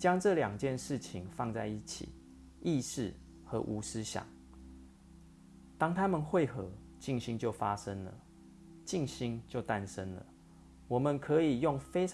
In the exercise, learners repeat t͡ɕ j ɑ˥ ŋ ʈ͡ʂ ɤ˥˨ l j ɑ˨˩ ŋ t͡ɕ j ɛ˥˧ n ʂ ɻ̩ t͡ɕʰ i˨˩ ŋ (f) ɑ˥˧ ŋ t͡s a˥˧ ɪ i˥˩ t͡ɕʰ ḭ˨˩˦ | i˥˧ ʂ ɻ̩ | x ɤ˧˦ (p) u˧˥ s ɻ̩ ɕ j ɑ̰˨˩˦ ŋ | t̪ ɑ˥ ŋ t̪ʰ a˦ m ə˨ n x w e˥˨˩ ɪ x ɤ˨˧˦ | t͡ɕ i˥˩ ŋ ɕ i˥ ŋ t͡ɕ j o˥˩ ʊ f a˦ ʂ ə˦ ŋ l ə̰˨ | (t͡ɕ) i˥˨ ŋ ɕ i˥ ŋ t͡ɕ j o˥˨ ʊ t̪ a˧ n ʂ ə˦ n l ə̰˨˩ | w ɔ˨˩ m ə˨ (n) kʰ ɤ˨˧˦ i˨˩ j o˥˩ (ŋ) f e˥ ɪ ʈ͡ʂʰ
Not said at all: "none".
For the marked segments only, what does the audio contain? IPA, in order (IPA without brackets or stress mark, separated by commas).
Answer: f, ʔ, t͡ɕ, n, ŋ